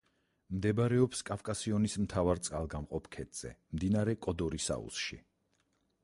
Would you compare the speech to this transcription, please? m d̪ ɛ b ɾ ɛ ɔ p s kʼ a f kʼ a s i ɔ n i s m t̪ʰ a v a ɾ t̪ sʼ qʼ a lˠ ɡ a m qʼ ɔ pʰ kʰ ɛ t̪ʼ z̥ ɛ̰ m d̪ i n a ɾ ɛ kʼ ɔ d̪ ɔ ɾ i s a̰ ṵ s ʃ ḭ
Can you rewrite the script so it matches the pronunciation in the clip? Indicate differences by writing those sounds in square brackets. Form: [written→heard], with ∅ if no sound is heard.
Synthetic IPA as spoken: m d̪ ɛ b ɾ ɛ ɔ p s kʼ a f kʼ a s i ɔ n i s m t̪ʰ a v a ɾ t̪ sʼ qʼ a lˠ ɡ a m qʼ ɔ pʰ kʰ ɛ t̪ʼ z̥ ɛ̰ m d̪ i n a ɾ ɛ kʼ ɔ d̪ ɔ ɾ i s a̰ ṵ s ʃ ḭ